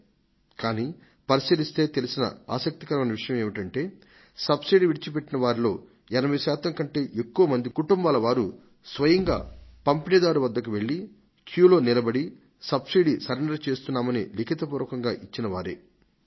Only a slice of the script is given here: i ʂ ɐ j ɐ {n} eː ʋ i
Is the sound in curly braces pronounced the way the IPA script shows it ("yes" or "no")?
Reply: no